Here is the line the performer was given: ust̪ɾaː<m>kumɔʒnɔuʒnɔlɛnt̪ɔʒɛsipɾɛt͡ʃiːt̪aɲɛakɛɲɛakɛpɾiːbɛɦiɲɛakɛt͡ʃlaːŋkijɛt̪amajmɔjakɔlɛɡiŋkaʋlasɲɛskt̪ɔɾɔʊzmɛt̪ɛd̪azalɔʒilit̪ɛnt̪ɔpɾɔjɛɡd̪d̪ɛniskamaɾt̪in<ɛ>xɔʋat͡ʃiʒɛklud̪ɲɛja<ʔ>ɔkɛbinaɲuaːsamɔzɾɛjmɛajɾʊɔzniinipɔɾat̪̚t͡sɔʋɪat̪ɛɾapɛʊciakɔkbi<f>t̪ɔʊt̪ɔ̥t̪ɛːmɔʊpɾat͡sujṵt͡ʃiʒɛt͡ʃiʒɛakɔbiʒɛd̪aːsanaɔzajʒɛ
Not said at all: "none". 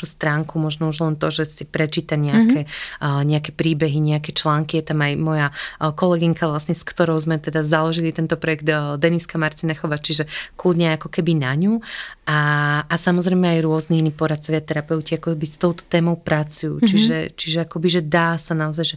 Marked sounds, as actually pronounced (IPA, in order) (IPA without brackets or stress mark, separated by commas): ŋ, ɛ, k, s